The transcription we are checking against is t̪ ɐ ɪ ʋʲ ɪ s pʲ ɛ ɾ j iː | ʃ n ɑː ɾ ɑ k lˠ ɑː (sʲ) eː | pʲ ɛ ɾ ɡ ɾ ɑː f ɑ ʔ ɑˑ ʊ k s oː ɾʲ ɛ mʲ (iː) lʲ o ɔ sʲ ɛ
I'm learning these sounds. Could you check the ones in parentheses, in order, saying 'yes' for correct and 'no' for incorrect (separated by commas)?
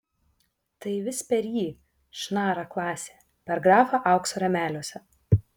yes, no